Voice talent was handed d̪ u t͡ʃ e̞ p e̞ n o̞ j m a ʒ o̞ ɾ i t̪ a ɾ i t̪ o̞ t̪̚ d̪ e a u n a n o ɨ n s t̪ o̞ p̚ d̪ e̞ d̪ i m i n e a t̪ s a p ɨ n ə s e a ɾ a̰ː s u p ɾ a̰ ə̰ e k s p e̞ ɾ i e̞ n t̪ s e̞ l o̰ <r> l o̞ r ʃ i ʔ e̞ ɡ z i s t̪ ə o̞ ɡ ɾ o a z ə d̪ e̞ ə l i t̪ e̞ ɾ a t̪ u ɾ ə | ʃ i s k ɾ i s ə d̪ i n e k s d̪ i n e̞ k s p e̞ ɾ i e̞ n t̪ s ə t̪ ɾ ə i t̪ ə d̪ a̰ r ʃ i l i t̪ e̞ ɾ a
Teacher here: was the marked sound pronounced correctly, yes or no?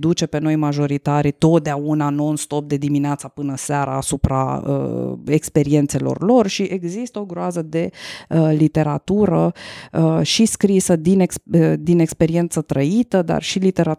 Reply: yes